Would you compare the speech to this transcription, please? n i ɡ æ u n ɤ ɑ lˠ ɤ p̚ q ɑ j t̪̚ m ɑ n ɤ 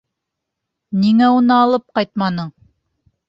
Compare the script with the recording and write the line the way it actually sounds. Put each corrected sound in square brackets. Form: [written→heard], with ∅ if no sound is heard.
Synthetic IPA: n i [ɡ→ŋ] æ u n ɤ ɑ lˠ ɤ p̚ q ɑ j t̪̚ m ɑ n ɤ